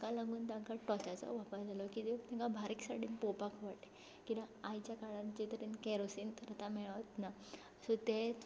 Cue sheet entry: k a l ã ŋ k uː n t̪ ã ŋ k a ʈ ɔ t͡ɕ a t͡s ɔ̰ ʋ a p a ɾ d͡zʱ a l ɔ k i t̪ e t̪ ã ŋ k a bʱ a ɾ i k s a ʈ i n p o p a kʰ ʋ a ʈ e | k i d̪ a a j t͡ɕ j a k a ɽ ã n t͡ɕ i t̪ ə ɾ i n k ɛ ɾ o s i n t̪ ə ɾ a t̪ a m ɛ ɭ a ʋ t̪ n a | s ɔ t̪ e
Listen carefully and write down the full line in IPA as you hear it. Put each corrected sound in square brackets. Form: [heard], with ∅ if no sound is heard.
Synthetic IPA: k a l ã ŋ [ɡ] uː n t̪ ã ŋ k a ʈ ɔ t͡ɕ a t͡s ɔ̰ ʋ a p a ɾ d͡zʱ a l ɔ k i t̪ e t̪ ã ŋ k a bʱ a ɾ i k s a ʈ i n p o p a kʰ ʋ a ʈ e | k i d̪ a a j t͡ɕ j a k a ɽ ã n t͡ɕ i t̪ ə ɾ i n k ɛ ɾ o s i n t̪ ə ɾ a t̪ a m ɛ ɭ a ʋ t̪ n a | s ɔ t̪ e